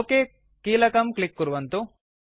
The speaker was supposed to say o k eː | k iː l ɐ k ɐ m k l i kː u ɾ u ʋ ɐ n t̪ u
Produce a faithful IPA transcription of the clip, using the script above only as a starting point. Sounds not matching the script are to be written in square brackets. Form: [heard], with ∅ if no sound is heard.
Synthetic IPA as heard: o k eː | k iː l ɐ k ɐ m k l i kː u ɾ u ʋ ɐ n t̪ u